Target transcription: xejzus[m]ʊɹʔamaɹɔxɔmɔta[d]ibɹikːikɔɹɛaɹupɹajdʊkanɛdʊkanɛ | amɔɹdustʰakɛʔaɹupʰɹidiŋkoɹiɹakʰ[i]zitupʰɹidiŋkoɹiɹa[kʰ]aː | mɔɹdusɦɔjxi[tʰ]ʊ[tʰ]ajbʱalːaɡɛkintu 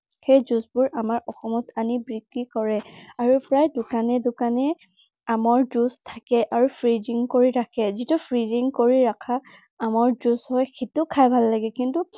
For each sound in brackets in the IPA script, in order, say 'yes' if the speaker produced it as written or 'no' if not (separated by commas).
no, no, no, yes, no, no